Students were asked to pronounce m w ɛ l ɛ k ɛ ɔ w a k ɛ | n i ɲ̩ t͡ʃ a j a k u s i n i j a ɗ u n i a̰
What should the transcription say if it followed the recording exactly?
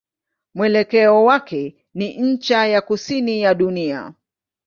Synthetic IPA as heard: m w ɛ l ɛ k ɛ ɔ w a k ɛ | n i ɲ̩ t͡ʃ a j a k u s i n i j a ɗ u n i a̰